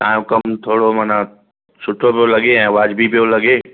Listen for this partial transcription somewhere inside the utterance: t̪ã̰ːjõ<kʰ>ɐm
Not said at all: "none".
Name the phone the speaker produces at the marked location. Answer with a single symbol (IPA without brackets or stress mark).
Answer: k